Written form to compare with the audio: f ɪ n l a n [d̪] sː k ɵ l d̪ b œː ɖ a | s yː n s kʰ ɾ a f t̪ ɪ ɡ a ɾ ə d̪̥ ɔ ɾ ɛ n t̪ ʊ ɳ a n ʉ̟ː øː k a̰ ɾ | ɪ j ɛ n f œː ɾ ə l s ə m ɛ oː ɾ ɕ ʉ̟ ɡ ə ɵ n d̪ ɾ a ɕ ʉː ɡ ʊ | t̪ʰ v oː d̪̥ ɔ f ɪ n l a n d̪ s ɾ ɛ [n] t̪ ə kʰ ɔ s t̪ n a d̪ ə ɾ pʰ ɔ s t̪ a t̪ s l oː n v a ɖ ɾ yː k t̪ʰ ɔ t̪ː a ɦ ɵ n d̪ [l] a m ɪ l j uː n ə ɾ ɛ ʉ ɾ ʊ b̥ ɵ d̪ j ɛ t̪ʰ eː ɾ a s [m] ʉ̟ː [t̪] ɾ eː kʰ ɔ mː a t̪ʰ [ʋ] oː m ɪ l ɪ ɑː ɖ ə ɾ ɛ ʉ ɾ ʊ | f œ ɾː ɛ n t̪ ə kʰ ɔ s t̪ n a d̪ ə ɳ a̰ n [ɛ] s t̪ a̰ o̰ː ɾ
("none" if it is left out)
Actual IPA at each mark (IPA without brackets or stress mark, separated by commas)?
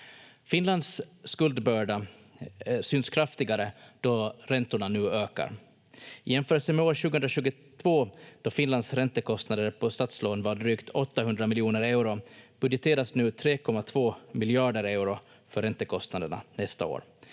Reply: d̪, n, ɾ, n, t̪ʰ, v, ɛ